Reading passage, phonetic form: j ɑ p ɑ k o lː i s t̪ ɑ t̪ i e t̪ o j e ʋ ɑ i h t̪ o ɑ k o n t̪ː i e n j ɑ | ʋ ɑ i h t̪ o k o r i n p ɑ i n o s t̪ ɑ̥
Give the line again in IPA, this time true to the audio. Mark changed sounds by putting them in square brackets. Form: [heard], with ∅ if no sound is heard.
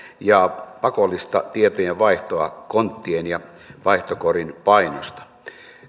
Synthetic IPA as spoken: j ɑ p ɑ k o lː i s t̪ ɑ t̪ i e t̪ o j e ʋ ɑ i h t̪ o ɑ k o n t̪ː i e n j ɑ | ʋ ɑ i h t̪ o k o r i n p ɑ i n o s t̪ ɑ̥

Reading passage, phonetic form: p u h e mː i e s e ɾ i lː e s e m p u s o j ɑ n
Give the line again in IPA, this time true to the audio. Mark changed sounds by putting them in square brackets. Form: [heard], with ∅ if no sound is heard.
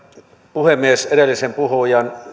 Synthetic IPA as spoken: p u h e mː i e s e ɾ [e] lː [i] s e m p u [h] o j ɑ n

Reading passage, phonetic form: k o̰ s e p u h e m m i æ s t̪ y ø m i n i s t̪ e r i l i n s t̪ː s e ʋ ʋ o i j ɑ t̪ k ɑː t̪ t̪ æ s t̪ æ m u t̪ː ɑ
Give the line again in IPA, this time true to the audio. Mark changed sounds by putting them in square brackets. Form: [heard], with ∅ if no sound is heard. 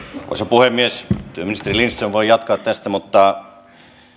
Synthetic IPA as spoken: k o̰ s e p u h e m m i [e] s t̪ y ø m i n i s t̪ e r i l i n s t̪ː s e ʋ ʋ o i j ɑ t̪ k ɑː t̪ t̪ æ s t̪ æ m u t̪ː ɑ

